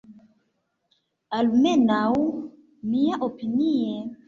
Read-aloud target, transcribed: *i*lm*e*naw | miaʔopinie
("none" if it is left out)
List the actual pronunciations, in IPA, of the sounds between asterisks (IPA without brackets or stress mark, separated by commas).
a, e